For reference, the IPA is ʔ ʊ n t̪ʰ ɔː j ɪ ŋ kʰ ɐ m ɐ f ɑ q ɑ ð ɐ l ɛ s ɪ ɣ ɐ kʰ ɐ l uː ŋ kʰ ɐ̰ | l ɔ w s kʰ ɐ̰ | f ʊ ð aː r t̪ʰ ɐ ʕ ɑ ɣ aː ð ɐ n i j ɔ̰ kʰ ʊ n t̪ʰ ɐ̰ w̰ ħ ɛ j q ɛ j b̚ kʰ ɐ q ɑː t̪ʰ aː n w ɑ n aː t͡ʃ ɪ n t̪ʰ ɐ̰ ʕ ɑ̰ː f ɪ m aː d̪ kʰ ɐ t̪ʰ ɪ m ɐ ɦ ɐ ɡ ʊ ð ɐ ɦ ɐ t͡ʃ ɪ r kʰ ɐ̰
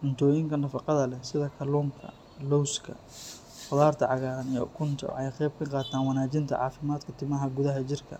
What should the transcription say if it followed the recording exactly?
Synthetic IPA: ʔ ʊ n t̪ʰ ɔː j ɪ ŋ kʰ ɐ n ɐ f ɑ q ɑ ð ɐ l ɛ s ɪ ð ɐ kʰ ɐ l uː ŋ kʰ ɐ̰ | l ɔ w s kʰ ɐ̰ | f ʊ ð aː r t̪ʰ ɐ ʕ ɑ ɣ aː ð ɐ n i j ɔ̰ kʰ ʊ n t̪ʰ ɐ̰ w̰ ħ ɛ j q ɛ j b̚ kʰ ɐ q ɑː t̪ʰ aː n w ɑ n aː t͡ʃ ɪ n t̪ʰ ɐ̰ ʕ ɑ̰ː f ɪ m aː d̪ kʰ ɐ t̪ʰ ɪ m ɐ ɦ ɐ ɡ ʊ ð ɐ ɦ ɐ t͡ʃ ɪ r kʰ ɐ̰